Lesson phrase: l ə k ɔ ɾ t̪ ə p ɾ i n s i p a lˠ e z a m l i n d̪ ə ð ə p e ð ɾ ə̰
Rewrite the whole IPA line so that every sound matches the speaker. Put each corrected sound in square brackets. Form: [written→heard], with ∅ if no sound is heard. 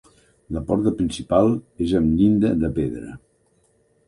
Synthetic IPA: l ə [k→p] ɔ ɾ t̪ ə p ɾ i n s i p a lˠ e z [a→ə] m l i n d̪ ə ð ə p e ð ɾ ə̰